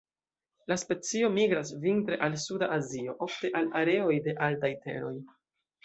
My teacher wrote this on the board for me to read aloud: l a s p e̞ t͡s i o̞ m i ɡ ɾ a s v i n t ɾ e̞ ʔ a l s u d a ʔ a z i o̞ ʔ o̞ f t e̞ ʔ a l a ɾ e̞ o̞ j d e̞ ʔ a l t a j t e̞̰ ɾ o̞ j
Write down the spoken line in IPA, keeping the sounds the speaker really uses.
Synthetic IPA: l a s p e̞ t͡s i o̞ m i ɡ ɾ a s v i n t ɾ e̞ ʔ a l s u d a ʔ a z i o̞ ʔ o̞ f t e̞ ʔ a l a ɾ e̞ o̞ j d e̞ ʔ a l t a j t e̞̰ ɾ o̞ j